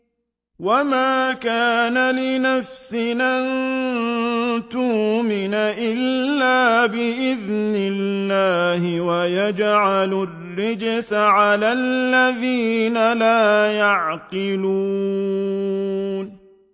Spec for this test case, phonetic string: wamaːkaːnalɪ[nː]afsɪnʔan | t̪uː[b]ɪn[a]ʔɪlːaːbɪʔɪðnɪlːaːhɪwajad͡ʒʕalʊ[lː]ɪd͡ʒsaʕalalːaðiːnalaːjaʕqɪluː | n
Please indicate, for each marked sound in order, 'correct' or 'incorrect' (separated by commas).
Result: incorrect, incorrect, correct, incorrect